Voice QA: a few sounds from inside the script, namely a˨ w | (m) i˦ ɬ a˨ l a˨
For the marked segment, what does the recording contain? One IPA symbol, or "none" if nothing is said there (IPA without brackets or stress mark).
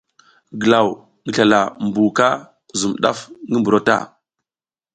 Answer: ŋ